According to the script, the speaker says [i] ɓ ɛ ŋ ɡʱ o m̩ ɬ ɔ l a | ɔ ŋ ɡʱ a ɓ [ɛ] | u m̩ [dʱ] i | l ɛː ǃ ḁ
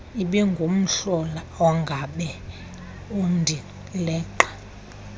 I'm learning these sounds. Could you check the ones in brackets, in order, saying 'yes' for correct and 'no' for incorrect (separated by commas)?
yes, yes, yes